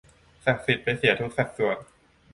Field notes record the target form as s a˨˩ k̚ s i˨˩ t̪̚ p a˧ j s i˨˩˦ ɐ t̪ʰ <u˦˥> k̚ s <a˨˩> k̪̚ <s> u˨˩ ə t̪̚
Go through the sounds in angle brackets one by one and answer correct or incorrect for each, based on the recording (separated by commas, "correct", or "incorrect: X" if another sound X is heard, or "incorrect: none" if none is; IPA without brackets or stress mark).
correct, correct, correct